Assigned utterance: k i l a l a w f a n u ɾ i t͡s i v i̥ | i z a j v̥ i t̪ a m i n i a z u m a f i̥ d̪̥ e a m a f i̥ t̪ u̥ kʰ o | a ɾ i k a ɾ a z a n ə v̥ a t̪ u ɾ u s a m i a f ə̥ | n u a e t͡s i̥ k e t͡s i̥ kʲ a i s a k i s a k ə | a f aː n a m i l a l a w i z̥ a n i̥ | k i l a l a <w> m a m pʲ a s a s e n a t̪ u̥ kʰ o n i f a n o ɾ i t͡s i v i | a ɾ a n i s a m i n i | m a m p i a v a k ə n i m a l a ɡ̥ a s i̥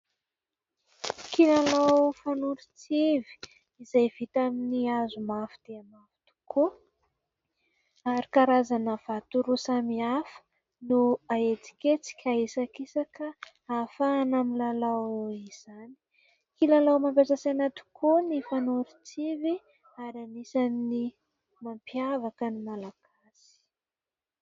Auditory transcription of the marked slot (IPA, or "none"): w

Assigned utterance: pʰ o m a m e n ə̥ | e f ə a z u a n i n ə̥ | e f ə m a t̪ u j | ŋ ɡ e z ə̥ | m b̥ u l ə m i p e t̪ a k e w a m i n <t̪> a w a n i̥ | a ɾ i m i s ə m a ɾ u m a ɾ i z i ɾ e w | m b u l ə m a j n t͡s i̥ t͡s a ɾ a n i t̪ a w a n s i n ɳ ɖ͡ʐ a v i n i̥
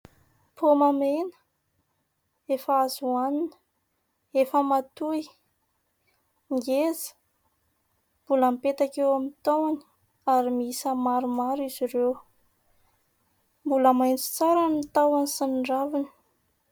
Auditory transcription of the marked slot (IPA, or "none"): t̪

